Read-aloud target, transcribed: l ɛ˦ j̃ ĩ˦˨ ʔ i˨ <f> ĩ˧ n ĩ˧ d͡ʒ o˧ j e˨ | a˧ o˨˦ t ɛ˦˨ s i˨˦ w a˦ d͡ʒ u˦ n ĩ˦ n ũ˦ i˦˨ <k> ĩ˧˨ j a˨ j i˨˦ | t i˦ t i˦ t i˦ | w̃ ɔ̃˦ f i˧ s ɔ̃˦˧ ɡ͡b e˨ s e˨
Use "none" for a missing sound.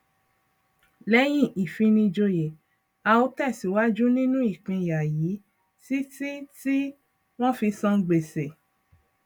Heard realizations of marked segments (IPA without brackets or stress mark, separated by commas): f, k͡p